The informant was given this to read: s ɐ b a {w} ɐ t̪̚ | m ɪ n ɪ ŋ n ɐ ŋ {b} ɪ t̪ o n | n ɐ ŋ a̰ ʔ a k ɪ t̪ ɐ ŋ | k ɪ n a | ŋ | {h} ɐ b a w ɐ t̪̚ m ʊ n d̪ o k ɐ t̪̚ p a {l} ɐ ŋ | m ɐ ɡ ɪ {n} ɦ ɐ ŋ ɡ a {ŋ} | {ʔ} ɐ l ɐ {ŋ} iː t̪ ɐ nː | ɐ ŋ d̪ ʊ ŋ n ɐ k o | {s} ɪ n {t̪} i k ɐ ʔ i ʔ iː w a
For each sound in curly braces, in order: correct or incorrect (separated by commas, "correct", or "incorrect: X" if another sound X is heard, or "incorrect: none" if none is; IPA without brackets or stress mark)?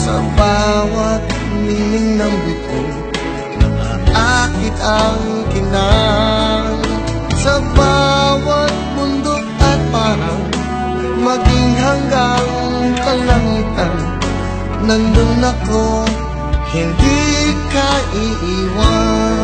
correct, correct, incorrect: s, incorrect: ɾ, incorrect: ŋ, correct, incorrect: k, correct, incorrect: h, incorrect: d̪